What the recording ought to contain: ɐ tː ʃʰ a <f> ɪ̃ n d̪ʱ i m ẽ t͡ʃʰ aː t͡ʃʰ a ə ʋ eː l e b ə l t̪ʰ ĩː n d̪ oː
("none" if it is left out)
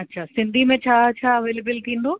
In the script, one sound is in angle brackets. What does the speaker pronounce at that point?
s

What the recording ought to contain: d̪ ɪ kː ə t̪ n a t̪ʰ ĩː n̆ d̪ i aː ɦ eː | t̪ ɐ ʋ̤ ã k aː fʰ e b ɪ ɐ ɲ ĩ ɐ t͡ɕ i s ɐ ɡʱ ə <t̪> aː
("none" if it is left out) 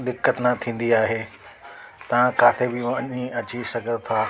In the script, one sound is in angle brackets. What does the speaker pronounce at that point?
t̪ʰ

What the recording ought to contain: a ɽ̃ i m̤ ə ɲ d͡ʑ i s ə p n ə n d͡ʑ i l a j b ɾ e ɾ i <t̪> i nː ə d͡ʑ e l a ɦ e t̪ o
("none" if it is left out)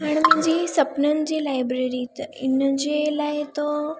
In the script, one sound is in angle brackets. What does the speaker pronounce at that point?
t̪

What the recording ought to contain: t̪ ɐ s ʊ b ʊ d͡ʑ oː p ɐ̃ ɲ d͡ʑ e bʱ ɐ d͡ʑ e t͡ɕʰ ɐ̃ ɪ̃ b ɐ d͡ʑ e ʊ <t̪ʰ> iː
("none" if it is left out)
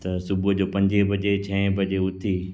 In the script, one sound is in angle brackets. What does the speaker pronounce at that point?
t̪ʰ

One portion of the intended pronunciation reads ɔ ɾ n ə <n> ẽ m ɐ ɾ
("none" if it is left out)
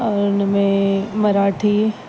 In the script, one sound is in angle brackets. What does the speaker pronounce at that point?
m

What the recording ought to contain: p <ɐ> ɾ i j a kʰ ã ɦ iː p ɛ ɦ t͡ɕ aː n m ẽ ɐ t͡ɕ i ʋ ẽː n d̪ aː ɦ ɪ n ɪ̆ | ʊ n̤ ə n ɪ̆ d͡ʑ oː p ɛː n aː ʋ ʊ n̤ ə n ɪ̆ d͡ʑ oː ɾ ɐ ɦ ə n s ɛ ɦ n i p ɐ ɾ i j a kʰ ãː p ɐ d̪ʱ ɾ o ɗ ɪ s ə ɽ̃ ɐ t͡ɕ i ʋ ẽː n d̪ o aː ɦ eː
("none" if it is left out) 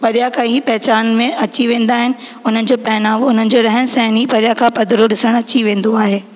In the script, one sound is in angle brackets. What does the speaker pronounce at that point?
ɐ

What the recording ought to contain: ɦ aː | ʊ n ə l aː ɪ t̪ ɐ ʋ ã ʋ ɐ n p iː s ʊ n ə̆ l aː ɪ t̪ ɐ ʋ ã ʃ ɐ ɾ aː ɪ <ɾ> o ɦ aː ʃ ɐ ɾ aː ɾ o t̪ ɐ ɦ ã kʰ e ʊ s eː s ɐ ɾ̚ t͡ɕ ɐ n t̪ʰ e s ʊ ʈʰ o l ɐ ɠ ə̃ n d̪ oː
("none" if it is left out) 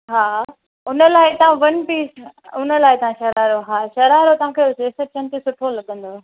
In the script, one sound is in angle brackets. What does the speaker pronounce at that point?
ɾ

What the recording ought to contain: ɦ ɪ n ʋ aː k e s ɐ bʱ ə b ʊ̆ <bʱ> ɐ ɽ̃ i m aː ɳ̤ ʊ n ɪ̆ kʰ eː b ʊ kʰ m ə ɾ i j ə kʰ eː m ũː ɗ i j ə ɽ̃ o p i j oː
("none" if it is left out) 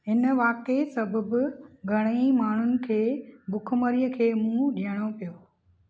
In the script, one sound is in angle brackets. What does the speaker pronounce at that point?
ɡʱ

